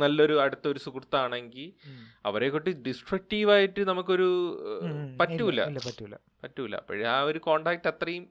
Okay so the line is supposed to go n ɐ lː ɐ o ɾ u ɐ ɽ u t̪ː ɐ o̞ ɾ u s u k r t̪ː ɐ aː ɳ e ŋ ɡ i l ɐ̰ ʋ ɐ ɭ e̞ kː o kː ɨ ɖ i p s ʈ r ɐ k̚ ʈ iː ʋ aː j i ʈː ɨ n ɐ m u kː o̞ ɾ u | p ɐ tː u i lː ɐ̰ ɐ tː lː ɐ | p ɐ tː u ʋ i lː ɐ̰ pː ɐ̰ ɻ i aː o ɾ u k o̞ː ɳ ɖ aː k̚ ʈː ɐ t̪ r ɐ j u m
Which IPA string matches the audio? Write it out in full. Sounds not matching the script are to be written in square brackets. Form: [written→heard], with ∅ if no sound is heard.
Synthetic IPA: n ɐ lː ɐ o ɾ u ɐ ɽ u t̪ː ɐ o̞ ɾ u s u k r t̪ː ɐ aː ɳ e ŋ ɡ i l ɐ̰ ʋ ɐ [ɭ→ɾ] e̞ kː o [kː→ʈː] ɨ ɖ i [p→∅] s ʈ r ɐ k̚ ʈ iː ʋ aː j i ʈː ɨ n ɐ m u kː o̞ ɾ u | p ɐ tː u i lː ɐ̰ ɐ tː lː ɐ | p ɐ tː u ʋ i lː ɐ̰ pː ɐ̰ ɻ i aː o ɾ u k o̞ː ɳ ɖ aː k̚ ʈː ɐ t̪ r ɐ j u m